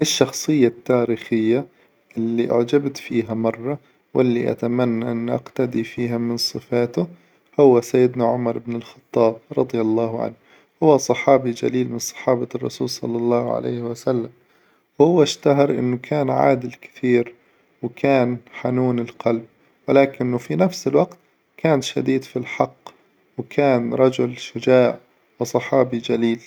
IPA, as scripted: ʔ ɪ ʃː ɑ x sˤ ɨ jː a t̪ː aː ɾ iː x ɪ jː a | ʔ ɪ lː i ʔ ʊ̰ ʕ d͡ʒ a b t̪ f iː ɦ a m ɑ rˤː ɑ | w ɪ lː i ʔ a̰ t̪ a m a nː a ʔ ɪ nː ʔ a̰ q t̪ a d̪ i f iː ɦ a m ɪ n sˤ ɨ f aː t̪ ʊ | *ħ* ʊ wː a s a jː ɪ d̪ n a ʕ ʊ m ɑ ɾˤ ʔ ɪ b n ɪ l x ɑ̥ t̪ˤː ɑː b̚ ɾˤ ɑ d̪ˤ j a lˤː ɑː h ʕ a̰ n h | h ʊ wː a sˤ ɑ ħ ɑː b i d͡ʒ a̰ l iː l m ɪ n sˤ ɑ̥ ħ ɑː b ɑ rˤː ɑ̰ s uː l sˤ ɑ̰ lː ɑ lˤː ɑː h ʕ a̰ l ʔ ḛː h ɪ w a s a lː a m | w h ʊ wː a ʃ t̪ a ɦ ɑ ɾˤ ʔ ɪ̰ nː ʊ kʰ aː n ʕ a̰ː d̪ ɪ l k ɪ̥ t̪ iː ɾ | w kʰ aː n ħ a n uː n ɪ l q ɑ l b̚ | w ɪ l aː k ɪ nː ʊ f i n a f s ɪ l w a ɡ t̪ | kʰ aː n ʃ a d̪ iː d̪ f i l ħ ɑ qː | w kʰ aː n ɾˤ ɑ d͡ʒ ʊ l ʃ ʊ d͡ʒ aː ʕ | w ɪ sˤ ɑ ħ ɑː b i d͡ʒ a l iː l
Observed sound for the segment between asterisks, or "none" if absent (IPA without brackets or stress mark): h